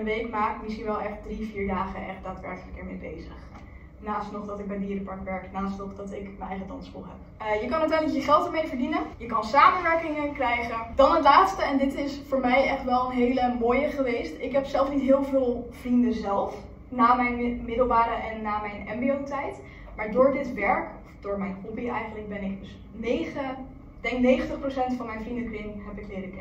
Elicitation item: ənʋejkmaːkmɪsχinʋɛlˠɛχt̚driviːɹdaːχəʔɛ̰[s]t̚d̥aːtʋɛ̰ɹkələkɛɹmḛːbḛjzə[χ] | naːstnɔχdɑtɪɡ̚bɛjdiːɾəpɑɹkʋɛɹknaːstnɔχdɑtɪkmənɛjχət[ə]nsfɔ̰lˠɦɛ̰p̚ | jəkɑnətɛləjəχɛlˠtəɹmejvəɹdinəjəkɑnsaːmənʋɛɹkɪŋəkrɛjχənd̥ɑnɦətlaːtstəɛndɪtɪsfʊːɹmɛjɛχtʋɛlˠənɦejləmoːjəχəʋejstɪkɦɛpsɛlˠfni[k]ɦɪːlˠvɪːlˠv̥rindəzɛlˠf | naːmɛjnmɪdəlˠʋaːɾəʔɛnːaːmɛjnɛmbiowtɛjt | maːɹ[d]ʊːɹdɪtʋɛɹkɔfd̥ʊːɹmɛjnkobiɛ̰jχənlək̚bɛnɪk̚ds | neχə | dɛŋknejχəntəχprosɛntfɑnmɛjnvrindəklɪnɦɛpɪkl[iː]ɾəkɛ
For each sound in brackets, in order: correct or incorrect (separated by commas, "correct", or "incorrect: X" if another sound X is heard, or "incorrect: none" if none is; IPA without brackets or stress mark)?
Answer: incorrect: χ, correct, incorrect: ɑ, incorrect: t, correct, incorrect: ɪː